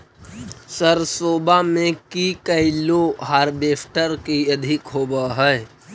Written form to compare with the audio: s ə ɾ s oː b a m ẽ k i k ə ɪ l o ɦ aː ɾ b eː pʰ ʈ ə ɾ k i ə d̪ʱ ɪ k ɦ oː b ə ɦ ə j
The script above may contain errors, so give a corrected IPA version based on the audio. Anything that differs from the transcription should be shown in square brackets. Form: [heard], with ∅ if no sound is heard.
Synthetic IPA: s ə ɾ s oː b a m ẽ k i k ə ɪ l o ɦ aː ɾ b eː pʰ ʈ ə ɾ k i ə d̪ʱ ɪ k ɦ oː b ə ɦ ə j